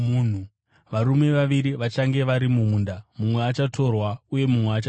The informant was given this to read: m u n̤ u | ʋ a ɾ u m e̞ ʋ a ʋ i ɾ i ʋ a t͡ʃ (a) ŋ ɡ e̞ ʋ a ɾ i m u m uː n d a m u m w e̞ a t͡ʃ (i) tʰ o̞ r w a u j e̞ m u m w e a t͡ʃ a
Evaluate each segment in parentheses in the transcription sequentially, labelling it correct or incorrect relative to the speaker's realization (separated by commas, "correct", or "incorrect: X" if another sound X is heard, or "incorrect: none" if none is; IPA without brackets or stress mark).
correct, incorrect: a